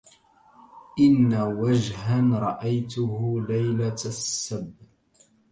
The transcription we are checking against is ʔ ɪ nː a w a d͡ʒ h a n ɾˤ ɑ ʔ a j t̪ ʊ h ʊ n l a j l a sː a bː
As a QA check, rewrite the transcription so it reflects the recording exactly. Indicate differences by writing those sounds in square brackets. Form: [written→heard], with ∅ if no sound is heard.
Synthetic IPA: ʔ ɪ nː a w a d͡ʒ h a n ɾˤ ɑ ʔ a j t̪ ʊ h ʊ [n→∅] l a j l a sː a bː